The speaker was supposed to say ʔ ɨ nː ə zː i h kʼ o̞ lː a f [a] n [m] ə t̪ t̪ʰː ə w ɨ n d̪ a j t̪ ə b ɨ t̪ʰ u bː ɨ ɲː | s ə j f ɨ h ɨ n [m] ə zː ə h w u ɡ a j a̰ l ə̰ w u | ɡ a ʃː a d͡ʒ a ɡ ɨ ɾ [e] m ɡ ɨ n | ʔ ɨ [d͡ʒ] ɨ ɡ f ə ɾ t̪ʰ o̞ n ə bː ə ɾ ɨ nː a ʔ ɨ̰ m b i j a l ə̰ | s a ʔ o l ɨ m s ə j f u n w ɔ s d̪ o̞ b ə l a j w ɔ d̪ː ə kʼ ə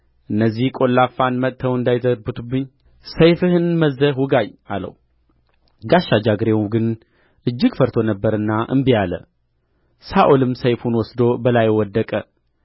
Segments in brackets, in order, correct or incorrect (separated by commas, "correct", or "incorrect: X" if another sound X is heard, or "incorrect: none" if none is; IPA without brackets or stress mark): correct, correct, correct, correct, incorrect: d͡ʒː